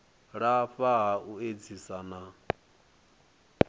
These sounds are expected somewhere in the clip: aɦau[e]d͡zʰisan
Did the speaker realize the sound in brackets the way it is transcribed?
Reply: yes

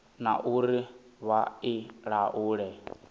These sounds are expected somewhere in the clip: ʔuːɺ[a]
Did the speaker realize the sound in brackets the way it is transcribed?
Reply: no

